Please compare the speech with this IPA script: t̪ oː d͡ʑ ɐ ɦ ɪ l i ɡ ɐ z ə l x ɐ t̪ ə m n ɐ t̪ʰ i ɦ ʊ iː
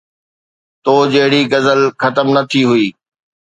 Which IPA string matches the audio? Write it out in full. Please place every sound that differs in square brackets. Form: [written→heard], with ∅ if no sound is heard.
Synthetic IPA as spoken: t̪ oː d͡ʑ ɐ ɦ ɪ [l→ɽ] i ɡ ɐ z ə l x ɐ t̪ ə m n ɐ t̪ʰ i ɦ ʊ iː